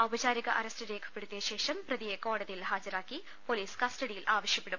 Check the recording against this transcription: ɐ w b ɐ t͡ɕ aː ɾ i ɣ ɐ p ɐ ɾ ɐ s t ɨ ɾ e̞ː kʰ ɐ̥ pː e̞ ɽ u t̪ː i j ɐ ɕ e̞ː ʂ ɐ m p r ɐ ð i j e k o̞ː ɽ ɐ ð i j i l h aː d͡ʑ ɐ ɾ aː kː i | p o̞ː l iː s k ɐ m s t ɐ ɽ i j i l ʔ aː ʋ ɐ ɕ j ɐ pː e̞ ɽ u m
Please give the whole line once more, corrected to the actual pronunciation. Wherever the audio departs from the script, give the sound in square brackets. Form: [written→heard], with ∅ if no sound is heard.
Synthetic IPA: ɐ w b ɐ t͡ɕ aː ɾ i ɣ ɐ [p→ʔ] ɐ ɾ ɐ s t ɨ ɾ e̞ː kʰ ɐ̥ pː e̞ ɽ u t̪ː i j ɐ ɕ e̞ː ʂ ɐ m p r ɐ ð i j e k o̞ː ɽ ɐ ð i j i l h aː d͡ʑ ɐ ɾ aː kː i | p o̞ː l iː s k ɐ [m→∅] s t ɐ ɽ i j i l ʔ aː ʋ ɐ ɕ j ɐ pː e̞ ɽ u m